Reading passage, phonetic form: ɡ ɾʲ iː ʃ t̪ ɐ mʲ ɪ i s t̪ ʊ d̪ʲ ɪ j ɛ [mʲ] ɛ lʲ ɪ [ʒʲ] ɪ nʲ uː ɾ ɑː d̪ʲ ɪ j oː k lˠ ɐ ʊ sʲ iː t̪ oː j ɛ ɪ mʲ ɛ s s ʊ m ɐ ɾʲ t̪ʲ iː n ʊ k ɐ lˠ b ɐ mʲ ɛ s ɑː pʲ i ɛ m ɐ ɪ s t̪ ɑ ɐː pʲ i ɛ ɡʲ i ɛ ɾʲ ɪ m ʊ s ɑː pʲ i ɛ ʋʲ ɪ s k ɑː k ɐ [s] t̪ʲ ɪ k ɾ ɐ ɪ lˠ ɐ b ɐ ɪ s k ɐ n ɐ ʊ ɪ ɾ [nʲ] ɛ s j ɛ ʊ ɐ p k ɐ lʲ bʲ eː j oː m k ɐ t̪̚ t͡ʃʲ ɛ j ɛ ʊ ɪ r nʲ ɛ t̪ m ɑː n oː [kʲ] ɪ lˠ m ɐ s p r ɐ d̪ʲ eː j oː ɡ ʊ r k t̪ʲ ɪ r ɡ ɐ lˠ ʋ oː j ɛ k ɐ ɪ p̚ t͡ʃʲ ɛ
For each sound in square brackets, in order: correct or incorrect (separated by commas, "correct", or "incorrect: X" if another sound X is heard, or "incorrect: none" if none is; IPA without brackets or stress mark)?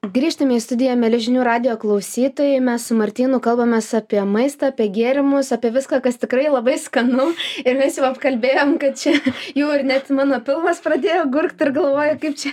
correct, correct, correct, incorrect: mʲ, incorrect: pʲ